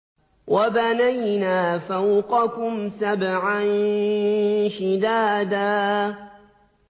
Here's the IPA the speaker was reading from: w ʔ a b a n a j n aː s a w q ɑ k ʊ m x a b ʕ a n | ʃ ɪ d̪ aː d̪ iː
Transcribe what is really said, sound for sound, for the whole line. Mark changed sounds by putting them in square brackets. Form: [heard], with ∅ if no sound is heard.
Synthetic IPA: w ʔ a b a n a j n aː [f] a w q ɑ k ʊ m [s] a b ʕ a n | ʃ ɪ d̪ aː d̪ [aː]